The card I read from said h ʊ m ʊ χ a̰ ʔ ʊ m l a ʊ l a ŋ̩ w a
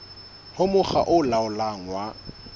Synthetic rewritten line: h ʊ m ʊ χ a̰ ʔ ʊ l a ʊ l a ŋ̩ w a

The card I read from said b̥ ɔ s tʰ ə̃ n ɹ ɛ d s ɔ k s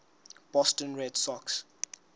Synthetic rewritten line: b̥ ɔ s t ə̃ n ɹ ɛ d s ɔ k s

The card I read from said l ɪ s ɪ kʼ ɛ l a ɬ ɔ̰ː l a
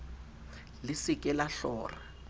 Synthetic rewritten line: l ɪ s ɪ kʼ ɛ l a ɬ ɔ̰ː r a

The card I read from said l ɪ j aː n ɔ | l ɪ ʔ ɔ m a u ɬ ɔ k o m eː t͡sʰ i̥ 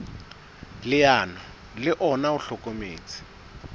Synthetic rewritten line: l ɪ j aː n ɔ | l ɪ ʔ ɔ n a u ɬ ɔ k o m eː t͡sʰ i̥

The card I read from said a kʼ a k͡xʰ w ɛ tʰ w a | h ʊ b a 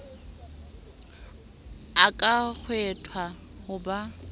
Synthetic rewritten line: a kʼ a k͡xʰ w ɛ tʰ w a | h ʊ b a

